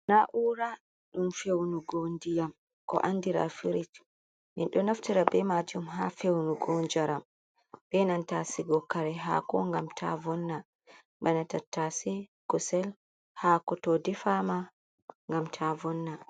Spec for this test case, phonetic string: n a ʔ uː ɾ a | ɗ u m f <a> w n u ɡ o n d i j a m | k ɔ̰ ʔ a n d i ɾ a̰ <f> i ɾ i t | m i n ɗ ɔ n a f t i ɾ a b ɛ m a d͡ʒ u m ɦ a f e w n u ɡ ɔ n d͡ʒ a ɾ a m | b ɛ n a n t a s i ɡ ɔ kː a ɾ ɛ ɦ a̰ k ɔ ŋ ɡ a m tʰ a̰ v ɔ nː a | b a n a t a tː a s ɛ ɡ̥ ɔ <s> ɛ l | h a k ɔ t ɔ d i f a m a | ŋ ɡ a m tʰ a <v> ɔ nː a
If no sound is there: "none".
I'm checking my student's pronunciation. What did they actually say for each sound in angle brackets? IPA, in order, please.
e, f, s, v

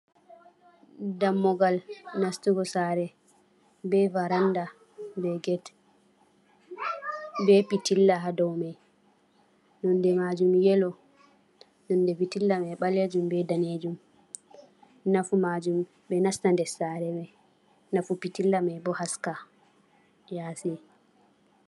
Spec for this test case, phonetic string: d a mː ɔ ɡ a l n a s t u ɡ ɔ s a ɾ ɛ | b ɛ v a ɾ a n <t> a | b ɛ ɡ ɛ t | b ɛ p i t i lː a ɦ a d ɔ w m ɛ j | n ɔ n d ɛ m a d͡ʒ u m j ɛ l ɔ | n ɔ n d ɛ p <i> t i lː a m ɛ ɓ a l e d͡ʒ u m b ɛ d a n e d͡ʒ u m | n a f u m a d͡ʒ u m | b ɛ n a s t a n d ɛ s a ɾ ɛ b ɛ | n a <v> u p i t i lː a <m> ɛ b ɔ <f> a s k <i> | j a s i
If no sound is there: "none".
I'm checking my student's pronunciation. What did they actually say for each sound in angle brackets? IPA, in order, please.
d, i, f, m, h, a

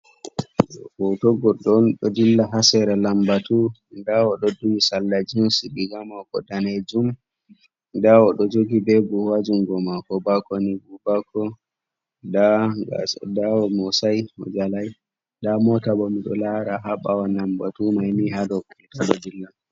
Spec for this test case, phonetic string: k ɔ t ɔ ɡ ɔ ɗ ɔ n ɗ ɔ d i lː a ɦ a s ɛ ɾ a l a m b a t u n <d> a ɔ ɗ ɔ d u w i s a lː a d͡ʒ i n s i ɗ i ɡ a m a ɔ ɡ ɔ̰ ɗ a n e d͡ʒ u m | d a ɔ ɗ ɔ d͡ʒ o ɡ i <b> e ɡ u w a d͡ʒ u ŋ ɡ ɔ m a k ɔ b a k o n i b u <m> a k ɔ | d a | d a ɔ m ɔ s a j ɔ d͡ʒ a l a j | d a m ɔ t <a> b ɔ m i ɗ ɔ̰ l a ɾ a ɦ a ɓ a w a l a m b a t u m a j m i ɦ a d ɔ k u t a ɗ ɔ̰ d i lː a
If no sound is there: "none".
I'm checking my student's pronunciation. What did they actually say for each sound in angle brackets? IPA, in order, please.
d, b, b, a

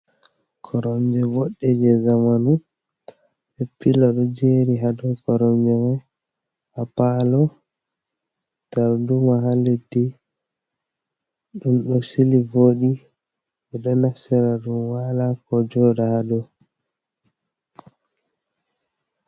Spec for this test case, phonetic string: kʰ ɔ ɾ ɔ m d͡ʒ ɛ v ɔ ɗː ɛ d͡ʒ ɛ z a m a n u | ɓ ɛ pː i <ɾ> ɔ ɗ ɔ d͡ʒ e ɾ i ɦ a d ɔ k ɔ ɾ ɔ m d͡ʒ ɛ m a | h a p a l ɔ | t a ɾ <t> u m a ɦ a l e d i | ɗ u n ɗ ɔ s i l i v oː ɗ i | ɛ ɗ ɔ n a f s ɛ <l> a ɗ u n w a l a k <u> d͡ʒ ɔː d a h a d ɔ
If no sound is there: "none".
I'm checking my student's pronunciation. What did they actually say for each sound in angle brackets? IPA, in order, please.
l, d, ɾ, ɔ

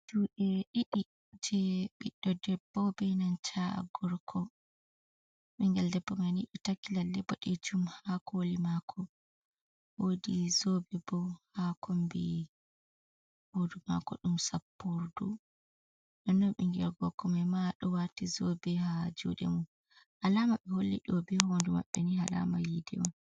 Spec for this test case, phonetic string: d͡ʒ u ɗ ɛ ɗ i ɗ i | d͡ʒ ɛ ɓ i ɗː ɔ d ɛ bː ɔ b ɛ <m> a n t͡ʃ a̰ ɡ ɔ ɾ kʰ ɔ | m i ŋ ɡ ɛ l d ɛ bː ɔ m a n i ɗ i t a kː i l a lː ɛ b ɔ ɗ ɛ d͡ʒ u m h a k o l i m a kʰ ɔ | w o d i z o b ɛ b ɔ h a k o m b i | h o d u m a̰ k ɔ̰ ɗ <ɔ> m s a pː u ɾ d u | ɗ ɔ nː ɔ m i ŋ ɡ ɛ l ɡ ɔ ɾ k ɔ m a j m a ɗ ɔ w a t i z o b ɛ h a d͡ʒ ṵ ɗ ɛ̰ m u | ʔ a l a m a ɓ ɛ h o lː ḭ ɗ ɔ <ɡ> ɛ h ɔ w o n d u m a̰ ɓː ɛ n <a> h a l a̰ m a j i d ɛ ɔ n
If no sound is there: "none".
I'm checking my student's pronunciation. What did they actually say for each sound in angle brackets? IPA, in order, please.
n, u, b, i

